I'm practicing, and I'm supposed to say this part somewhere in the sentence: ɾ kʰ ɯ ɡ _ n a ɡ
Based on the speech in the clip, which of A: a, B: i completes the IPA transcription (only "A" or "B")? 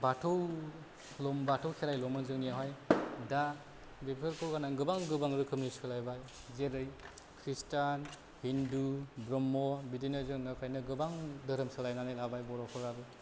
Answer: A